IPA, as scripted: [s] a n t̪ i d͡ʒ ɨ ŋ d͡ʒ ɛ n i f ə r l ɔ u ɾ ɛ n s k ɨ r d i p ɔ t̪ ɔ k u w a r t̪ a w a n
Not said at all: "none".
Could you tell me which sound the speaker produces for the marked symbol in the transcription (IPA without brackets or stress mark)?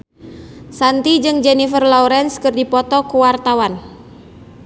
s